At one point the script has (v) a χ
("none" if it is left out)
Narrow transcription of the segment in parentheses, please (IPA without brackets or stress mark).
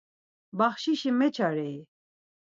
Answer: b